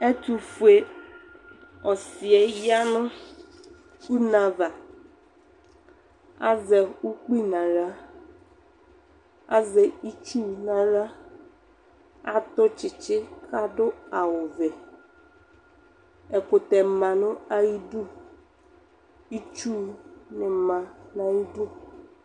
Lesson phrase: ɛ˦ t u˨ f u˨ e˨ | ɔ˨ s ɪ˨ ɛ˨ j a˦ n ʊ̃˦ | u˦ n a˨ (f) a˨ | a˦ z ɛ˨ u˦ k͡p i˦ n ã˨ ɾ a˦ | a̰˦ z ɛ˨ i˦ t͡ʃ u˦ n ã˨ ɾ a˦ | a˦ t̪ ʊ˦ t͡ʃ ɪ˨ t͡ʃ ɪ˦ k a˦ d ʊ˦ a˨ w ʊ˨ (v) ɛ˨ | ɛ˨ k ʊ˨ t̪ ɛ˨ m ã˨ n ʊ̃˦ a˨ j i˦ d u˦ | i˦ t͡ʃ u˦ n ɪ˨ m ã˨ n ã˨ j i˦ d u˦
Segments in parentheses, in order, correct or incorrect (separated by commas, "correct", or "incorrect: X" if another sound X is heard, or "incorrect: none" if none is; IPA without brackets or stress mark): incorrect: v, correct